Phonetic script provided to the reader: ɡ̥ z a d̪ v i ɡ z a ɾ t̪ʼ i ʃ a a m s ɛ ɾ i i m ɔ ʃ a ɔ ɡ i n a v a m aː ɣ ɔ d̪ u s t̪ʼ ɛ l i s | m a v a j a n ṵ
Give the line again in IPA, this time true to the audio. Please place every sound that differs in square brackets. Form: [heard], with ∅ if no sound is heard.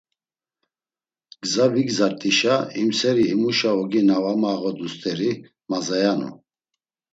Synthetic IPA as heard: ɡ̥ z a [∅] v i ɡ z a ɾ t̪ʼ i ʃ a [i] m s ɛ ɾ i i m [u] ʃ a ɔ ɡ i n a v a m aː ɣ ɔ d̪ u s t̪ʼ ɛ [ɾ] i [∅] | m a [z] a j a n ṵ